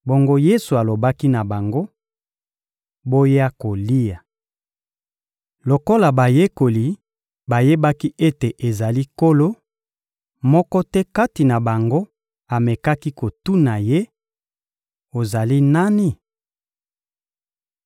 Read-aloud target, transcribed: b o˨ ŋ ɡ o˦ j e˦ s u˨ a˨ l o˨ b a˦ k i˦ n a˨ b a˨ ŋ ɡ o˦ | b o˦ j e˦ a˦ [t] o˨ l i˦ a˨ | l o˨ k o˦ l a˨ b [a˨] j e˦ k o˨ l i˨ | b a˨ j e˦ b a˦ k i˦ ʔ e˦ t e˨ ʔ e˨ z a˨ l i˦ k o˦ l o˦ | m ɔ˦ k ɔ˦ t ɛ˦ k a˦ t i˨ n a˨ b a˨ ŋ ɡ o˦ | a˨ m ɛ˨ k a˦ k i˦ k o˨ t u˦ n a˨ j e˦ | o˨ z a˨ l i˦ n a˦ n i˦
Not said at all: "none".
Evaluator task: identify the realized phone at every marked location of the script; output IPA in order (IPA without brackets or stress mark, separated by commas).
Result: k, a˨